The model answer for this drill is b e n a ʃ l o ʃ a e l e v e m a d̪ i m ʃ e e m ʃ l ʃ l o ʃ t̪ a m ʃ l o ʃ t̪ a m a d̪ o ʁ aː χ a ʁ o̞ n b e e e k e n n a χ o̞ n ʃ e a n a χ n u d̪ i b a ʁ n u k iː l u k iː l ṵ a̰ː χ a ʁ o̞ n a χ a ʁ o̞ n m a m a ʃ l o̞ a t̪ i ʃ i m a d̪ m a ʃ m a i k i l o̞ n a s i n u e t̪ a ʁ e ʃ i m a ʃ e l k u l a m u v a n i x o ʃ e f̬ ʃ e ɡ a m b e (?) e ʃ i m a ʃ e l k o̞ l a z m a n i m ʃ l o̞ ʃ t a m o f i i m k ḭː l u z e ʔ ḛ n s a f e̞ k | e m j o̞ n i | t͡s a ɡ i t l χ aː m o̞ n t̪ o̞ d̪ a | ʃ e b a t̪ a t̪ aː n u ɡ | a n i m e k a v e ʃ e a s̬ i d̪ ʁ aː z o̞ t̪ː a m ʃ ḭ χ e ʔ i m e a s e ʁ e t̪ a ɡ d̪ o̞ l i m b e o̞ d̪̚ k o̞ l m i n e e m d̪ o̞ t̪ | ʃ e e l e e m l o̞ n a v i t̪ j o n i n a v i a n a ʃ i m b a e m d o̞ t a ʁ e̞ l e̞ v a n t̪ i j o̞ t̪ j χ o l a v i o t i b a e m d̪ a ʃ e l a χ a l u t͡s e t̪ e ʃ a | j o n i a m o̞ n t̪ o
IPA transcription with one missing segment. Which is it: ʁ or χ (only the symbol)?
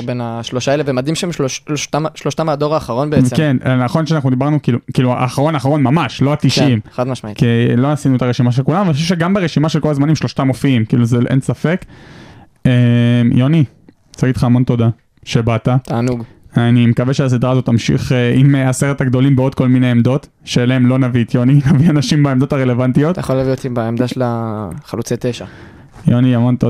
ʁ